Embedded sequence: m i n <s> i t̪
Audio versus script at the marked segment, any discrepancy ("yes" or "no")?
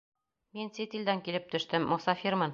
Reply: no